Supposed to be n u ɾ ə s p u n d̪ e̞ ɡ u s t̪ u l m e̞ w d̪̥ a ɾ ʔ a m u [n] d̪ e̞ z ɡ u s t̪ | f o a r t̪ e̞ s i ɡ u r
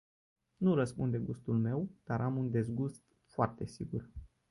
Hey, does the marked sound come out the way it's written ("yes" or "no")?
yes